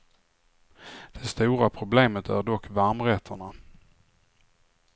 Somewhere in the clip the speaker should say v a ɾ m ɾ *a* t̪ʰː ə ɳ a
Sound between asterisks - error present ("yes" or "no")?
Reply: yes